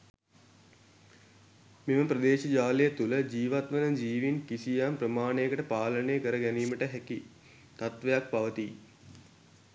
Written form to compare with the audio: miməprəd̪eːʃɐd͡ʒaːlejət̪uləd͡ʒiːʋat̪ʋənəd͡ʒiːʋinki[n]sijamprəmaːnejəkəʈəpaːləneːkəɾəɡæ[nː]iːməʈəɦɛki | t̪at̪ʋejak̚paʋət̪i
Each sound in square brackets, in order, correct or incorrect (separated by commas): incorrect, incorrect